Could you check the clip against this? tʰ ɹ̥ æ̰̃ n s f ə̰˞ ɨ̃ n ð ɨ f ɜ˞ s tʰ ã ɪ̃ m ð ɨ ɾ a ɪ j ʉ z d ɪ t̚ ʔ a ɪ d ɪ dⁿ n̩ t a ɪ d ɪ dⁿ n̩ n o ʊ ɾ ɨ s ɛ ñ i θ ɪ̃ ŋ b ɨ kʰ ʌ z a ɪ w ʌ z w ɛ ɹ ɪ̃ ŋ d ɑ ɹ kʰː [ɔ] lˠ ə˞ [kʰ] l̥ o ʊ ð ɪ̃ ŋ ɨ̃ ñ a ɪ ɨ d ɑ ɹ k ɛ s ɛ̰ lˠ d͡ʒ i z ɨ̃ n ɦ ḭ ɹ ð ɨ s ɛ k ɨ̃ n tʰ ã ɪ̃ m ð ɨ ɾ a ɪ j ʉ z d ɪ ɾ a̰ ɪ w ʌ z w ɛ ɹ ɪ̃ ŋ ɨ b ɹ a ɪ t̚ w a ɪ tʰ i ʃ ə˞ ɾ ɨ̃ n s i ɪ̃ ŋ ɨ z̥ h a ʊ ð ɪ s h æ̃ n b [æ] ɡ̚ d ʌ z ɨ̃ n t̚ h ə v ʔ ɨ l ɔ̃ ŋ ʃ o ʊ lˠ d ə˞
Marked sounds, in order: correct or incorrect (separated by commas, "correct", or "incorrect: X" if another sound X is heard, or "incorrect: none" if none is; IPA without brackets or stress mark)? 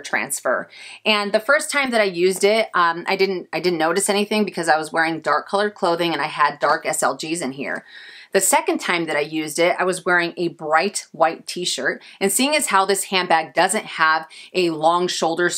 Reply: incorrect: ʌ, correct, correct